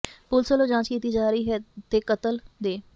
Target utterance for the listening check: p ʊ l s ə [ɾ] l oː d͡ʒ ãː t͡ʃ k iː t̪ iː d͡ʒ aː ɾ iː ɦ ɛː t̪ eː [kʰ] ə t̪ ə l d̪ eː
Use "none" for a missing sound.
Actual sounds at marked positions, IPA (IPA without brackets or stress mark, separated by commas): none, k